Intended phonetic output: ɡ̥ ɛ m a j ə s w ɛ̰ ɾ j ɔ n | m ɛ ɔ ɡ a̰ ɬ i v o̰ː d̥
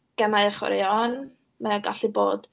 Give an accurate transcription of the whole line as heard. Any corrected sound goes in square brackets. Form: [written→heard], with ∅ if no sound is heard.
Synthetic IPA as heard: ɡ̥ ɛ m a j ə [s→χ] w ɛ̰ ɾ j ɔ n | m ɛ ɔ ɡ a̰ ɬ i [v→b] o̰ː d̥